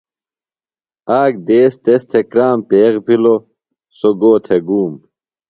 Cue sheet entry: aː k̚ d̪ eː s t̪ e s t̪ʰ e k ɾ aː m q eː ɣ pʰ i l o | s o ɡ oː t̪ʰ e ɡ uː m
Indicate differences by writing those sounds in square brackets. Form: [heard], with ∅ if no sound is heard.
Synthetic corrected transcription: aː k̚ d̪ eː s t̪ e s t̪ʰ e k ɾ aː m [p] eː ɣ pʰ i l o | s o ɡ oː t̪ʰ e ɡ uː m

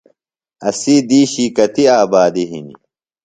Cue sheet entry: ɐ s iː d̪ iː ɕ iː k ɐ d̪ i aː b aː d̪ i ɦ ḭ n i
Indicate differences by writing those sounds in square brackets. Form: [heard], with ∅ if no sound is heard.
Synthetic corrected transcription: ɐ s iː d̪ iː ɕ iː k ɐ [t̪] i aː b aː d̪ i ɦ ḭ n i

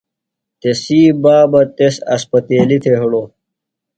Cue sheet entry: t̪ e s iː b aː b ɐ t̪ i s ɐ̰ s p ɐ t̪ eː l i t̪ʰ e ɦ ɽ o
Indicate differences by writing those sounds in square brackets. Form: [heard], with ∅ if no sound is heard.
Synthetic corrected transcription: t̪ e s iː b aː b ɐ t̪ [e] s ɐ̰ s p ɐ t̪ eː l i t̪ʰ e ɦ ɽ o

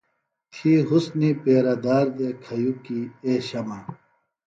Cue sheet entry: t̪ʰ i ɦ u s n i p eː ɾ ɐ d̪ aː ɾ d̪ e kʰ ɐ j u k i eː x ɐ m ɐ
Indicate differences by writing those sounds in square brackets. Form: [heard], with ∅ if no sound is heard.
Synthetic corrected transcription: t̪ʰ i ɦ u s n i p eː ɾ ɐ d̪ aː ɾ d̪ e kʰ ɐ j u k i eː [ɕ] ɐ m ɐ

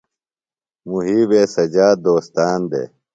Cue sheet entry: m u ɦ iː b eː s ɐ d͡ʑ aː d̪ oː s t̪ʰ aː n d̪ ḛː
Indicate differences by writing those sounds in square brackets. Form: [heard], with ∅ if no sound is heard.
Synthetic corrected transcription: m u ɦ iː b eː s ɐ d͡ʑ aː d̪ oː s [t̪] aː n d̪ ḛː

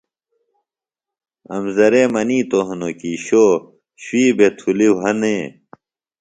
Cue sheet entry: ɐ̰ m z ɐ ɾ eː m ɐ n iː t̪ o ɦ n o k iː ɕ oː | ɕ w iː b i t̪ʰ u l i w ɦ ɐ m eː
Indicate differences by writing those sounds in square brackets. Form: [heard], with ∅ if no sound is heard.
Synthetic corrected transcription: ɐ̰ m z ɐ ɾ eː m ɐ n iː t̪ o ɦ n o k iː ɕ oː | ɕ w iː b [e] t̪ʰ u l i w ɦ ɐ [n] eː

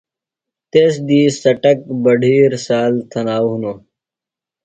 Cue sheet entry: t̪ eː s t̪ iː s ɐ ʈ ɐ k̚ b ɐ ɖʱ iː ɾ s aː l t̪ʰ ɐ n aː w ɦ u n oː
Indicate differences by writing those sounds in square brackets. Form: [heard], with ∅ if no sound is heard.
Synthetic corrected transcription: t̪ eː s [d̪] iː s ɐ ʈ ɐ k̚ b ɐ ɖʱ iː ɾ s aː l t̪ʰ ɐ n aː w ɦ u n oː

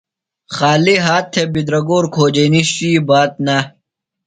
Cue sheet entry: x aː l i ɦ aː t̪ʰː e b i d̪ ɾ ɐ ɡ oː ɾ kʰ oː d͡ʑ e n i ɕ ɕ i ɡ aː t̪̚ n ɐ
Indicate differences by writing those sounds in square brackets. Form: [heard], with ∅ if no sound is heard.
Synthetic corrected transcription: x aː l i ɦ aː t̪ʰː e b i d̪ ɾ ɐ ɡ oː ɾ kʰ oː d͡ʑ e n i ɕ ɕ i [b] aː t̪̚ n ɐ

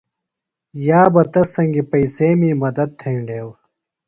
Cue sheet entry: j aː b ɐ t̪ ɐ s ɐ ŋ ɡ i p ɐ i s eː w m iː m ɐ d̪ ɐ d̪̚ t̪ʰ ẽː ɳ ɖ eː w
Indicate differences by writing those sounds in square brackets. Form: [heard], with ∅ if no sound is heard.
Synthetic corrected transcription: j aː b ɐ t̪ ɐ s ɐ ŋ ɡ i p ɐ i s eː [∅] m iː m ɐ d̪ ɐ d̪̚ t̪ʰ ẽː ɳ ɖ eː w

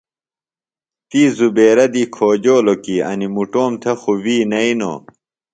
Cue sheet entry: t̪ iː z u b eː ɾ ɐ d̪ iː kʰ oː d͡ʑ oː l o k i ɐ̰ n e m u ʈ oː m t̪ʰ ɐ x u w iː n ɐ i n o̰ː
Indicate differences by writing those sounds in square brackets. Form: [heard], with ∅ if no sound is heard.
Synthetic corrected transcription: t̪ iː z u b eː ɾ ɐ d̪ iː kʰ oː d͡ʑ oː l o k i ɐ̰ n [i] m u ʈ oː m t̪ʰ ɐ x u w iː n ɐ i n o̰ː

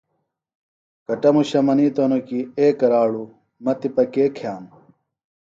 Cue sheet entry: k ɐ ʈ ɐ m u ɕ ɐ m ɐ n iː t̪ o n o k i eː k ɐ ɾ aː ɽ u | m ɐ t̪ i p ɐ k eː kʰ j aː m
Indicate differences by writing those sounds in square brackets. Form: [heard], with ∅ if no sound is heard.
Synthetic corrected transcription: k ɐ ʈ ɐ m u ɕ ɐ m ɐ n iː t̪ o n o k i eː k ɐ ɾ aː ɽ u | m ɐ t̪ i p ɐ k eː kʰ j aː m

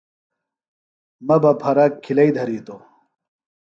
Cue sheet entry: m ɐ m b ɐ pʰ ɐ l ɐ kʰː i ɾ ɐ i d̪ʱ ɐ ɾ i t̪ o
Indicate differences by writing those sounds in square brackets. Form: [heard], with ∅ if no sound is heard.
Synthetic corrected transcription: m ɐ [∅] b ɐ pʰ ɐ [ɾ] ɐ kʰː i [l] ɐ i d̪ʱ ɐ ɾ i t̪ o

